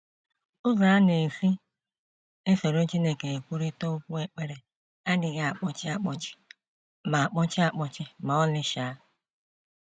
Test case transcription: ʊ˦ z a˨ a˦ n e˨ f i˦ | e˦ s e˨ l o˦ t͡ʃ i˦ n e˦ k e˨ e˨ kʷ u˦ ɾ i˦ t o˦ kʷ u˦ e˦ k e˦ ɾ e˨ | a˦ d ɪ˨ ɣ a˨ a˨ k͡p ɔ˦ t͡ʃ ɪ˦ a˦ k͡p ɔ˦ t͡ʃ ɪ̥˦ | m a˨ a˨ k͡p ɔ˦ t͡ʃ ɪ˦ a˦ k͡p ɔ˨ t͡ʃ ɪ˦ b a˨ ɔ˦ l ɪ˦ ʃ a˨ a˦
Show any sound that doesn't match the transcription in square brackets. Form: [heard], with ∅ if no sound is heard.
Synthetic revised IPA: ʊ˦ z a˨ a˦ n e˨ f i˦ | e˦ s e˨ [ɾ] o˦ t͡ʃ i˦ n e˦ k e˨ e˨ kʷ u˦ ɾ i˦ t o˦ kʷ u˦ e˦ [k͡p] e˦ ɾ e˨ | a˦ d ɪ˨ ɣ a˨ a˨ k͡p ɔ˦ t͡ʃ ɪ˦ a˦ k͡p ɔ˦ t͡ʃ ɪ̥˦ | m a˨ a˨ k͡p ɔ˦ t͡ʃ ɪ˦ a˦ k͡p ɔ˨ t͡ʃ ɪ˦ [m] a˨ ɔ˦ l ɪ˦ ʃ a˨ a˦

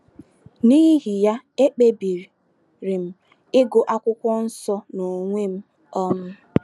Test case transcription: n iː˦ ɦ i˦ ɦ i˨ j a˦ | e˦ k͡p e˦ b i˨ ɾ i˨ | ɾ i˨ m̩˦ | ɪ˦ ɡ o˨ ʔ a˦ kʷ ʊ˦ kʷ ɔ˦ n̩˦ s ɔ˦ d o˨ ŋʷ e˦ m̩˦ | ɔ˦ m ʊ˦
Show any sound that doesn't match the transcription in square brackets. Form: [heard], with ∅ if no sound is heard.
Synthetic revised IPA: n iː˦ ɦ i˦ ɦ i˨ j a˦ | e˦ k͡p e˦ b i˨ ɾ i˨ | ɾ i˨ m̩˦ | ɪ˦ ɡ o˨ ʔ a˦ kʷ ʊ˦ kʷ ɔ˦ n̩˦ s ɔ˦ [n] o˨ ŋʷ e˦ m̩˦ | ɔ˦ m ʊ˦

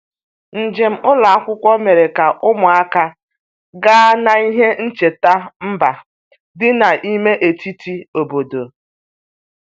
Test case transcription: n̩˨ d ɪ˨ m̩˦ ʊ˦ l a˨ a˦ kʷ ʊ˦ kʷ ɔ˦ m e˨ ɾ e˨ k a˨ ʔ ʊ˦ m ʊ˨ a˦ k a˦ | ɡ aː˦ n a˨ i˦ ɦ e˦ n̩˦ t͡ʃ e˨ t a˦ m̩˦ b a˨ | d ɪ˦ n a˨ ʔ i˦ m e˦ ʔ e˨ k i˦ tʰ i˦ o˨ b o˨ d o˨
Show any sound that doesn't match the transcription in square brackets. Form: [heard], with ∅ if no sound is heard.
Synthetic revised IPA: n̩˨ [d͡ʒ] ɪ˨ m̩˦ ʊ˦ l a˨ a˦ kʷ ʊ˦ kʷ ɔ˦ m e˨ ɾ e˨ k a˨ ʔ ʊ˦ m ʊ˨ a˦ k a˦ | ɡ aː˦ n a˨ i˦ ɦ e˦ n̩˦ t͡ʃ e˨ t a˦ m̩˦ b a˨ | d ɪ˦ n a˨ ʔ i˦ m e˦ ʔ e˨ [t] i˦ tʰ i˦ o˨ b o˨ d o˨

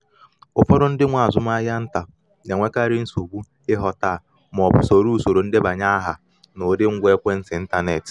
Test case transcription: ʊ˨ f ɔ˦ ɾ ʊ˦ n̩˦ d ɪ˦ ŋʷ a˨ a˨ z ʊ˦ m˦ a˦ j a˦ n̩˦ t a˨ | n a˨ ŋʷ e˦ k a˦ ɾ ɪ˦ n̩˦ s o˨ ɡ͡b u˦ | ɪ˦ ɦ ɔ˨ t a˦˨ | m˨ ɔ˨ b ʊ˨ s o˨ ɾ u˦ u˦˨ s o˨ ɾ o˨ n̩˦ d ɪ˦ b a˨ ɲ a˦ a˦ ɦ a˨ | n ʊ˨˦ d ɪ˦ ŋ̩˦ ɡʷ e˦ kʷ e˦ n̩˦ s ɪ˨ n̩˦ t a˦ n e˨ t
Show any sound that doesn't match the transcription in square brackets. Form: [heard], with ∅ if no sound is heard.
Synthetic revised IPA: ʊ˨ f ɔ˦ ɾ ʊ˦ n̩˦ d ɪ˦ ŋʷ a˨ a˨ z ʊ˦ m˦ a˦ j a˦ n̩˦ t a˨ | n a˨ ŋʷ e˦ k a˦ ɾ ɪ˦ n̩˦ s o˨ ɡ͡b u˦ | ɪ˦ ɦ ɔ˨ t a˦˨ | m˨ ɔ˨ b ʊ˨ s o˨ ɾ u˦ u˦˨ s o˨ ɾ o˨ n̩˦ d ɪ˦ b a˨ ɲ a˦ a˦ ɦ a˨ | n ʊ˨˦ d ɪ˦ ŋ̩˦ ɡʷ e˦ kʷ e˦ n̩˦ s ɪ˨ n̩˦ t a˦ n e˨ t

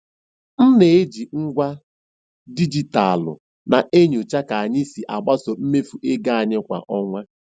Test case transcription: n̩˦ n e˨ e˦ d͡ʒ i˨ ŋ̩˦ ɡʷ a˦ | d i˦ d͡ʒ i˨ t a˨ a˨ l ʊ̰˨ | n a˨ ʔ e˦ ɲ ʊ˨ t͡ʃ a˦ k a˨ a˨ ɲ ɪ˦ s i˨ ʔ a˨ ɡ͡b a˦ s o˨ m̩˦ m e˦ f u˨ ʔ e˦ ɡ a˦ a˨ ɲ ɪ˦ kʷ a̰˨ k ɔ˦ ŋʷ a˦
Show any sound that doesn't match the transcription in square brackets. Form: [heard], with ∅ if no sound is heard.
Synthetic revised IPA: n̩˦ n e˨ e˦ d͡ʒ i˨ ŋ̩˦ ɡʷ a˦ | d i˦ d͡ʒ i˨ t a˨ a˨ l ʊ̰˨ | n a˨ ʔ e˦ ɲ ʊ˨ t͡ʃ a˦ k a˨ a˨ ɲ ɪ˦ s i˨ ʔ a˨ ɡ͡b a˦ s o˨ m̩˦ m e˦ f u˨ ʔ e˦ ɡ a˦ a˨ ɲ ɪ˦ kʷ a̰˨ [ʔ] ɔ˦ ŋʷ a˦

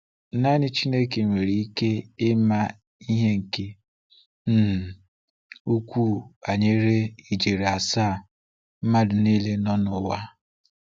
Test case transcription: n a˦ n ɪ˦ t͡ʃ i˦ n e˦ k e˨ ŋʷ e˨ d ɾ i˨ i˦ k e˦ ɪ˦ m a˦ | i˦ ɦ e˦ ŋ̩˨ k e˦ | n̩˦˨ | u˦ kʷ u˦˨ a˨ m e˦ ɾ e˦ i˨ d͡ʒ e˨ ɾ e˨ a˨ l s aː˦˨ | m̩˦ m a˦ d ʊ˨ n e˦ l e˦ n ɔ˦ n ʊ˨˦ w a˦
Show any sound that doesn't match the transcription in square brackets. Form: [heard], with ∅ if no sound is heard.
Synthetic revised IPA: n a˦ n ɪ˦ t͡ʃ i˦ n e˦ k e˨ ŋʷ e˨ [∅] ɾ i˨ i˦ k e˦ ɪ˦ m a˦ | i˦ ɦ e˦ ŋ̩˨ k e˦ | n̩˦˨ | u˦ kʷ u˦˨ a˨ [ɲ] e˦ ɾ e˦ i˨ d͡ʒ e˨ ɾ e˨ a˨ [∅] s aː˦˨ | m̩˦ m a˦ d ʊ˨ n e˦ l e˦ n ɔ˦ n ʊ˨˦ w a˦

